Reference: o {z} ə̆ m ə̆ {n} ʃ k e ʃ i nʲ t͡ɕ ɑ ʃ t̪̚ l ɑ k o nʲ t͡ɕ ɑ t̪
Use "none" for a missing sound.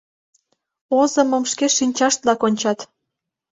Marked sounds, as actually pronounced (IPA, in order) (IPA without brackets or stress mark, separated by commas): z, m